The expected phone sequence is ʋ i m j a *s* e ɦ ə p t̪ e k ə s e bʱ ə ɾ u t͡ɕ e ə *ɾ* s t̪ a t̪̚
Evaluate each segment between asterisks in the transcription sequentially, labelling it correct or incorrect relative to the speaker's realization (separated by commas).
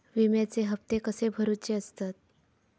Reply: incorrect, incorrect